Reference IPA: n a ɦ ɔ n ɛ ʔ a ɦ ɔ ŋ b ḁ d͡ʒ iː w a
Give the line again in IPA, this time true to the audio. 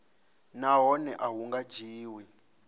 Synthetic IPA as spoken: n a ɦ ɔ n ɛ ʔ a ɦ u ŋ ɡ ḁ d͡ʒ iː w i